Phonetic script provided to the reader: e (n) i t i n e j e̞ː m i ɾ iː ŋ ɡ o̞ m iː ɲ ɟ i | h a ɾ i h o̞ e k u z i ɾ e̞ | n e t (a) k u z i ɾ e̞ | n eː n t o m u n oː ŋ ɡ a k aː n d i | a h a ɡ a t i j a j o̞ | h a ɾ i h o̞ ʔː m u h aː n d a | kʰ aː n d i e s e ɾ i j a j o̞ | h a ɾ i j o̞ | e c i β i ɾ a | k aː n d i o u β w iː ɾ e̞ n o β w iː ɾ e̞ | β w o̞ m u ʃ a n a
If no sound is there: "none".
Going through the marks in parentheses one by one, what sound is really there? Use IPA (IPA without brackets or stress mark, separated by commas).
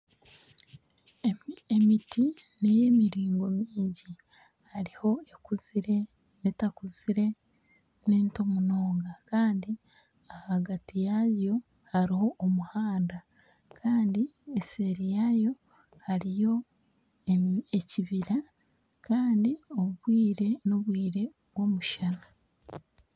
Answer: m, a